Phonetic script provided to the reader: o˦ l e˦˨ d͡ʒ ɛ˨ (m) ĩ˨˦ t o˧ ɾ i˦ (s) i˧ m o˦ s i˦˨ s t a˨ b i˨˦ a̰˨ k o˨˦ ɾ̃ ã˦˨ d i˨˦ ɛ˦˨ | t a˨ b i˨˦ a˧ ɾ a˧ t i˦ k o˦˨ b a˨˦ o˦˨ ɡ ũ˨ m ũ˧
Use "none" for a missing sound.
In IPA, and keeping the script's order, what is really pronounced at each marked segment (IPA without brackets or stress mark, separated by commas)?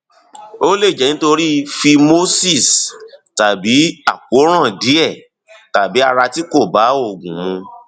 n, f